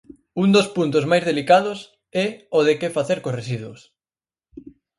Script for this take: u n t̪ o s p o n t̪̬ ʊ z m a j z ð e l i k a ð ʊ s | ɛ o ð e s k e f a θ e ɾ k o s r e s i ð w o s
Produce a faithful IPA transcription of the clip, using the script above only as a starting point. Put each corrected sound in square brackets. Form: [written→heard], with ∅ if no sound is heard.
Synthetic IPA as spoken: u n [t̪→d̪] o s p [o→u] n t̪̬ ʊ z m a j z ð e l i k a ð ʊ s | ɛ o ð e [s→∅] k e f a θ e ɾ k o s r e s i ð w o s

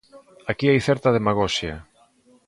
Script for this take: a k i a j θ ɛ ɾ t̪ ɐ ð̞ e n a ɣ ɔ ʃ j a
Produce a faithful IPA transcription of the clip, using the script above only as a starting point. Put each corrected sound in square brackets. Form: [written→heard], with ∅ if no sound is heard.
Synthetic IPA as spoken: a k i a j θ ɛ ɾ t̪ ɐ ð̞ e [n→m] a ɣ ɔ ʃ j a

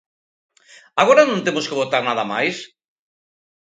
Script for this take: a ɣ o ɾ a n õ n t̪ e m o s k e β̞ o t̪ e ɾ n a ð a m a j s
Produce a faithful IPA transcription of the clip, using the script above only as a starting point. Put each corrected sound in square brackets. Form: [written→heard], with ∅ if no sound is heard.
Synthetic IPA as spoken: a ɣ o ɾ a n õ n t̪ e m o s k e β̞ o t̪ [e→a] ɾ n a ð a m a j s

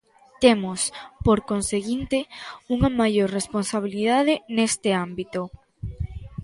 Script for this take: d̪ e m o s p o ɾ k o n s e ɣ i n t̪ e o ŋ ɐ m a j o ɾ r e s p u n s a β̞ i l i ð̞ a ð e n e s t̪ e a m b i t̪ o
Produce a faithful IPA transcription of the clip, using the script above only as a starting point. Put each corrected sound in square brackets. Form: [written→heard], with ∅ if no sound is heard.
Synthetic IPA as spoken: [d̪→t̪] e m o s p o ɾ k o n s e ɣ i n t̪ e [o→u] ŋ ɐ m a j o ɾ r e s p [u→o] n s a β̞ i l i ð̞ a ð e n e s t̪ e a m b i t̪ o

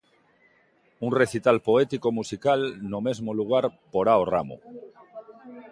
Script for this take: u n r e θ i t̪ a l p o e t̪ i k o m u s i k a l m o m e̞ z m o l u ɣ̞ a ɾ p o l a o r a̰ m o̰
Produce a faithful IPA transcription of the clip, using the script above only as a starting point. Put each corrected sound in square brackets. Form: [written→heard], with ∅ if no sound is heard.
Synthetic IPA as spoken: u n r e θ i t̪ a l p o e t̪ i k o m u s i k a l [m→n] o m e̞ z m o l u ɣ̞ a ɾ p o [l→ɾ] a o r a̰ m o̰

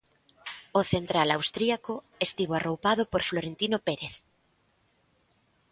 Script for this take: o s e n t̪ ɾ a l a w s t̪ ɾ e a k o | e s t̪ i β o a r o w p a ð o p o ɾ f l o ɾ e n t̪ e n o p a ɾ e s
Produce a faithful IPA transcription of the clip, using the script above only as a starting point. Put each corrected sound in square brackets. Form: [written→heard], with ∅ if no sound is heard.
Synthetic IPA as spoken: o [s→θ] e n t̪ ɾ a l a w s t̪ ɾ [e→i] a k o | e s t̪ i β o a r o w p a ð o p o ɾ f l o ɾ e n t̪ [e→i] n o p [a→e] ɾ e [s→θ]

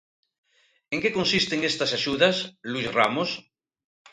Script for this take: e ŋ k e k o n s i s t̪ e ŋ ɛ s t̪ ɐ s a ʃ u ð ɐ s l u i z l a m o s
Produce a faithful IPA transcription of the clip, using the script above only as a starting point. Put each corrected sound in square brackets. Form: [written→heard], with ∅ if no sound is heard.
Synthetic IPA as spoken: e ŋ k e k o n s i s t̪ e ŋ [ɛ→e] s t̪ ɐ s a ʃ u ð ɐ s l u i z [l→r] a m o s

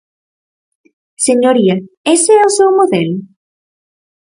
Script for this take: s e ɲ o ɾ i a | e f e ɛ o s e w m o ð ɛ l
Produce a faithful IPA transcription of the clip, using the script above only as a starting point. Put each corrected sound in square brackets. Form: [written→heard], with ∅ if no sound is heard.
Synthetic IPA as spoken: s e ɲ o ɾ i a | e [f→s] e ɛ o s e w m o ð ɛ l

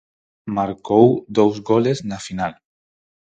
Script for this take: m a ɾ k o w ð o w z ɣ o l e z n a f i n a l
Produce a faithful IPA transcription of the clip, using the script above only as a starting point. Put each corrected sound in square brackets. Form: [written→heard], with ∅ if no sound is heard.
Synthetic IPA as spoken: m a ɾ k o w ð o w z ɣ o l e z n a f i n a l

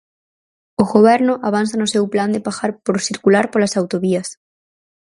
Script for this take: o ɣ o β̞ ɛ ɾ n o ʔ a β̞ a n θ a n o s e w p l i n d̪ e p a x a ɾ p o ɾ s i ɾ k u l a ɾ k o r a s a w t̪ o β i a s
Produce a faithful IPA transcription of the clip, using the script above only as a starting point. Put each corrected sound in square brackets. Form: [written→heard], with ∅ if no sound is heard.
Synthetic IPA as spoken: o ɣ o β̞ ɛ ɾ n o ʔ a β̞ a n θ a n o s e w p l [i→a] n d̪ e p a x a ɾ p o ɾ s i ɾ k u l a ɾ [k→p] o [r→l] a s a w t̪ o β i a s

